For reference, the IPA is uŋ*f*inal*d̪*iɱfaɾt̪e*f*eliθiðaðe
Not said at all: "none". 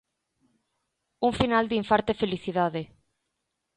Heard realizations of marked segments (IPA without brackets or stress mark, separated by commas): f, d̪, f